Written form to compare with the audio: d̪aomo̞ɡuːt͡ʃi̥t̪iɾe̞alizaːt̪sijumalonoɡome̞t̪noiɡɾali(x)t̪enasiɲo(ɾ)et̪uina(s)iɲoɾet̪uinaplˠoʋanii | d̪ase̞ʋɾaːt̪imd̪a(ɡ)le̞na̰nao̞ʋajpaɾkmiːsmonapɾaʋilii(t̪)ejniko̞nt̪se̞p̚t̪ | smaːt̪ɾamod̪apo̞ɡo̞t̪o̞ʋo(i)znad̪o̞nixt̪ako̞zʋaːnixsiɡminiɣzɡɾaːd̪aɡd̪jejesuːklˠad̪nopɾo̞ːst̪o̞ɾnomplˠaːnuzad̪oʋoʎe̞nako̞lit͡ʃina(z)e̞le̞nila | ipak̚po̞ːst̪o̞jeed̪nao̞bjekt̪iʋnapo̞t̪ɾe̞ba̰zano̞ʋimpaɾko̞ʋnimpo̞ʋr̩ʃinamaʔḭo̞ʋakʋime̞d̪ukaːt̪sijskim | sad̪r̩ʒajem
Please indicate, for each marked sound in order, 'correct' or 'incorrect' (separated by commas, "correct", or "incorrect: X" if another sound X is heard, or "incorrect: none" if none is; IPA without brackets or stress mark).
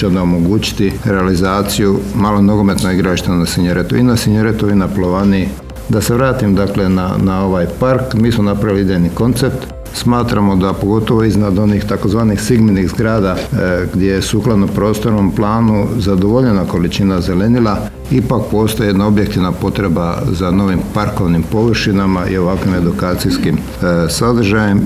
incorrect: ʃ, correct, correct, incorrect: k, incorrect: d̪, correct, correct